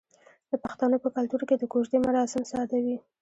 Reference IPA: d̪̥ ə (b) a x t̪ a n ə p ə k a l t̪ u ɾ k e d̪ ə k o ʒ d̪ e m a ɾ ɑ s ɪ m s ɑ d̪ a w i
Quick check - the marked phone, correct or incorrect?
incorrect